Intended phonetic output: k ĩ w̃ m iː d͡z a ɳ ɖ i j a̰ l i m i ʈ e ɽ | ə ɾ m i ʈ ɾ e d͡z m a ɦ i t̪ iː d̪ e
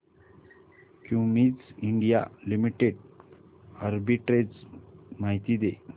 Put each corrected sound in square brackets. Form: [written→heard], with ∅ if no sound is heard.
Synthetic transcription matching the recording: k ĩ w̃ m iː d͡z [a→i] ɳ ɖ i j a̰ l i m i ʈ e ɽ | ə ɾ [m→b] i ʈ ɾ e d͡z m a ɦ i t̪ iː d̪ e